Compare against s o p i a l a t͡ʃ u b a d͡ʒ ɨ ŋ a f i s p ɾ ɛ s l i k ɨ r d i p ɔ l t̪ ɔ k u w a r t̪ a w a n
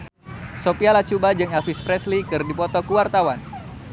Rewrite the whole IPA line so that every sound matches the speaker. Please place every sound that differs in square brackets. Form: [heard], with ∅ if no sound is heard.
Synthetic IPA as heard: s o p i a l a t͡ʃ u b a d͡ʒ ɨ ŋ a f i s p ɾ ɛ s l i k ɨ r d i p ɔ [∅] t̪ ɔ k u w a r t̪ a w a n